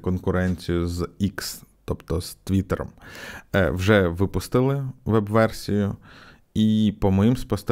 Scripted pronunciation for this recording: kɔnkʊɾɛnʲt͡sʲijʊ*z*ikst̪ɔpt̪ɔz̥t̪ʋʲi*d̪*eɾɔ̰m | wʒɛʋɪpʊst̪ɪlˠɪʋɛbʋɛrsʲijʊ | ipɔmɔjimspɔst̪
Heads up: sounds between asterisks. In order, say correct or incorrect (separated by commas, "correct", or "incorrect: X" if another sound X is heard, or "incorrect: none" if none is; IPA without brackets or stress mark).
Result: correct, incorrect: t̪